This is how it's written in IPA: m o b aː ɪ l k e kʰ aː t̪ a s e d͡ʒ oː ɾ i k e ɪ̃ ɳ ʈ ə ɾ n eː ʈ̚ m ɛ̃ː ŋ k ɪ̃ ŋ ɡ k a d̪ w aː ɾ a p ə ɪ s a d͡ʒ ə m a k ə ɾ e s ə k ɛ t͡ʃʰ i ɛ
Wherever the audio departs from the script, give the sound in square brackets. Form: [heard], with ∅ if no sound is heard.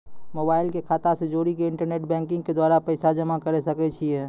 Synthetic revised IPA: m o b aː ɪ l k e kʰ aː t̪ a s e d͡ʒ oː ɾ i k e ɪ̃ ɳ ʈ ə ɾ n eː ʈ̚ [b] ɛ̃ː ŋ k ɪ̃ ŋ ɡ k [e] d̪ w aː ɾ a p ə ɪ s a d͡ʒ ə m a k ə ɾ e s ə k ɛ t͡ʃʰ i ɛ